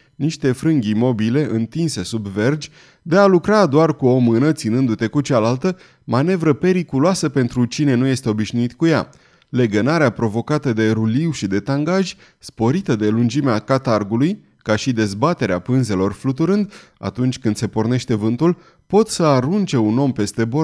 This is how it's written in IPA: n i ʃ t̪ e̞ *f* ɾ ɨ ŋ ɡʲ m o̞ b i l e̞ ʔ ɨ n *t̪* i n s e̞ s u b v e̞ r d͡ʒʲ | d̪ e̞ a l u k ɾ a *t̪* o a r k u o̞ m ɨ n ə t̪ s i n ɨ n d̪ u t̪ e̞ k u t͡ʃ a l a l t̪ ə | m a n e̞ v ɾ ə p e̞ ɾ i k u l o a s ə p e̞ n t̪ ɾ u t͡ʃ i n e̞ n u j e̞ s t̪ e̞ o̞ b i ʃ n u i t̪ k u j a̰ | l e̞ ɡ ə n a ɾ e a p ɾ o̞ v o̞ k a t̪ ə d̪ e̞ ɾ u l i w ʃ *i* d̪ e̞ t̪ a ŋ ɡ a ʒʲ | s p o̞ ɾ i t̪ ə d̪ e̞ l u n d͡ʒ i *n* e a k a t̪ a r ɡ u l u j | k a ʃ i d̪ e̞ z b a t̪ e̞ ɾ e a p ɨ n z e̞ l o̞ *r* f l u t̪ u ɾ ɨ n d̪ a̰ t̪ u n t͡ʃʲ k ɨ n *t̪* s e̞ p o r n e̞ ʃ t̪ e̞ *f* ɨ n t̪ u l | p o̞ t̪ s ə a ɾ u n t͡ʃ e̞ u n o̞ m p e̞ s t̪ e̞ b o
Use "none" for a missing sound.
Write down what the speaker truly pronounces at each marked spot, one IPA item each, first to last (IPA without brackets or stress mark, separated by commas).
f, t̪, d̪, i, m, r, d̪, v